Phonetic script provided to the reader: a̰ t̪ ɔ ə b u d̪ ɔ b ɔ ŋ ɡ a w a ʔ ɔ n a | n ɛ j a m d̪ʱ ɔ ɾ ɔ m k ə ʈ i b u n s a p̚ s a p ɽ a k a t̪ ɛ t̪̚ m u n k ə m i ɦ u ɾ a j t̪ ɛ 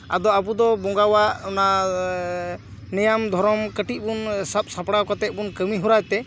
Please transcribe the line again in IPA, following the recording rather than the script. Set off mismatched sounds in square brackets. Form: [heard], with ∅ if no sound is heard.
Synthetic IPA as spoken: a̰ [d̪] ɔ [a] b u d̪ ɔ b ɔ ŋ ɡ a w a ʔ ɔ n a | n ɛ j a m d̪ʱ ɔ ɾ ɔ m k ə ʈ i b u n s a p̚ s a p ɽ a k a t̪ ɛ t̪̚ [b] u n k ə m i ɦ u ɾ a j t̪ ɛ